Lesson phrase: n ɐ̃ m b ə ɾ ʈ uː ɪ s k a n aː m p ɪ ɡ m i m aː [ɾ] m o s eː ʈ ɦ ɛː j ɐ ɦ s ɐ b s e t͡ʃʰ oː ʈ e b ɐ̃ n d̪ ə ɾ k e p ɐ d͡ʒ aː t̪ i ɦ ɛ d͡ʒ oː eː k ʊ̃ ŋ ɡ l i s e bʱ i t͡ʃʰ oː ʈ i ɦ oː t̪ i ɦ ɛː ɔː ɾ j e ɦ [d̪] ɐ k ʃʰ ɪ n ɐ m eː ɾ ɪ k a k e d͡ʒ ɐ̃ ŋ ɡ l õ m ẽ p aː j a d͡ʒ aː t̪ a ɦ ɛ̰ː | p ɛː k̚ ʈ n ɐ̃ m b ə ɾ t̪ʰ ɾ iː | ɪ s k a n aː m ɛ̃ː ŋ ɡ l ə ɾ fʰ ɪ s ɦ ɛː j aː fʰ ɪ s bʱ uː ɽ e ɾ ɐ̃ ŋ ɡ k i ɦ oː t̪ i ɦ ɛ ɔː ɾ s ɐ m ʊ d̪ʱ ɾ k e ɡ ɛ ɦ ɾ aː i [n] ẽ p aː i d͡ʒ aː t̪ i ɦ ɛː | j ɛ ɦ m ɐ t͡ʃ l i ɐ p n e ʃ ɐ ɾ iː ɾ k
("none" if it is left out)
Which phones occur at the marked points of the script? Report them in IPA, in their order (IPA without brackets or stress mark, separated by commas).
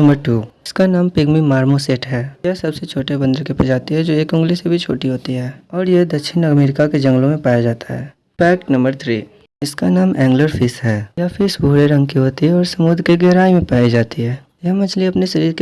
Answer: ɾ, d̪, m